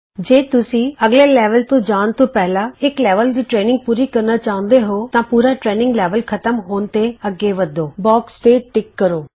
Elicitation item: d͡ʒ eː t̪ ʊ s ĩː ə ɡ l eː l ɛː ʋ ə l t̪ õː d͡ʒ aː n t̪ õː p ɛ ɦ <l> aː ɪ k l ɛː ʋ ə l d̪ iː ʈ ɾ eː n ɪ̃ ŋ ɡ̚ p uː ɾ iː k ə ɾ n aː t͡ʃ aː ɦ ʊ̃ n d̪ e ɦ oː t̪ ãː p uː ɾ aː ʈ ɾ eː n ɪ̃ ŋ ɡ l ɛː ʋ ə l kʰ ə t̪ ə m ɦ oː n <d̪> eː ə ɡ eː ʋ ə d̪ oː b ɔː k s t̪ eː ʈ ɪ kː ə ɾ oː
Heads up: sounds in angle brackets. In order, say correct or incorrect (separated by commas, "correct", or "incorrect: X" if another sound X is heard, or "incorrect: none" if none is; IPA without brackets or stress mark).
correct, incorrect: t̪